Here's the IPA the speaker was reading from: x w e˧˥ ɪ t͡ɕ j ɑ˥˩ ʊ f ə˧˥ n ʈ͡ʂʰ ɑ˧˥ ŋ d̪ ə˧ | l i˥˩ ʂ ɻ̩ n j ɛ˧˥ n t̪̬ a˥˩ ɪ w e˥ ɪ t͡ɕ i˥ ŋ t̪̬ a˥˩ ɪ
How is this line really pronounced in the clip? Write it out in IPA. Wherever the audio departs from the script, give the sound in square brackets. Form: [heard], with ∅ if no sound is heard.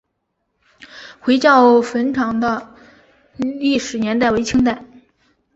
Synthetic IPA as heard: x w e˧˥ ɪ t͡ɕ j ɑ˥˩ ʊ f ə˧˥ n ʈ͡ʂʰ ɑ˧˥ ŋ d̪ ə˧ | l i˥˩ ʂ ɻ̩ n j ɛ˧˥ n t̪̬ a˥˩ ɪ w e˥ ɪ [t͡ɕʰ] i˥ ŋ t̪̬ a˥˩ ɪ